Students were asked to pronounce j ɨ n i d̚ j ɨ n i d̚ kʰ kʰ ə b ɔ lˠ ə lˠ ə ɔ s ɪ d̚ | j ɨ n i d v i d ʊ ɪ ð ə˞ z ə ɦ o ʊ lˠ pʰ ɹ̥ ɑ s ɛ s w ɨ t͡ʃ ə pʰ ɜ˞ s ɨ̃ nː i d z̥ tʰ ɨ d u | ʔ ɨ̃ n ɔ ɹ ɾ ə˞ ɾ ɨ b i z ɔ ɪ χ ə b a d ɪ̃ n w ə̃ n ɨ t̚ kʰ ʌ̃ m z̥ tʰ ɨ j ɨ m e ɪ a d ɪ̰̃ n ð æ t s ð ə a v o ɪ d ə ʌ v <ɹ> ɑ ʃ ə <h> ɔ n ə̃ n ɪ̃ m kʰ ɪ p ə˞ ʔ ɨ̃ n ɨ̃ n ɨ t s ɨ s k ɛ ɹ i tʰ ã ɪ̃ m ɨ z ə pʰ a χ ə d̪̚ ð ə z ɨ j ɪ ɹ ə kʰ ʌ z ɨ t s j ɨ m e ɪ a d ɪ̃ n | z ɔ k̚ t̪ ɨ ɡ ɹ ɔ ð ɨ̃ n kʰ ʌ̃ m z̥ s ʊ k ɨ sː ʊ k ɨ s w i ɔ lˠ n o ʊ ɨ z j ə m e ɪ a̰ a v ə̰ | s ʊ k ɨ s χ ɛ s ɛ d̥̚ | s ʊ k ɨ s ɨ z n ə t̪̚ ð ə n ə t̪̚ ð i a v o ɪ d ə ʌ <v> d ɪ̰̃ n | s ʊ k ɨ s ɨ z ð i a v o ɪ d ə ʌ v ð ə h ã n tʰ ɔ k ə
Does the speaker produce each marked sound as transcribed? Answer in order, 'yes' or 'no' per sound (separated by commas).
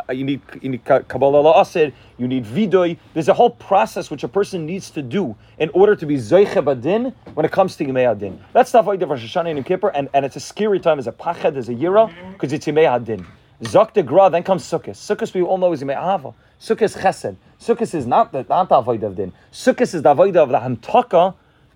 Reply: yes, no, yes